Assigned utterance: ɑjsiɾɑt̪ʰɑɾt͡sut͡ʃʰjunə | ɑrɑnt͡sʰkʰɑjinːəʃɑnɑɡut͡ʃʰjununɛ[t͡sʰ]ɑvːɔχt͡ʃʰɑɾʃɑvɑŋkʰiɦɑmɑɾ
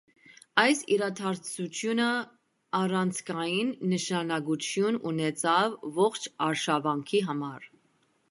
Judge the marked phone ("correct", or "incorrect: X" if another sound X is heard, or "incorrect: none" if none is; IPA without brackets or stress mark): correct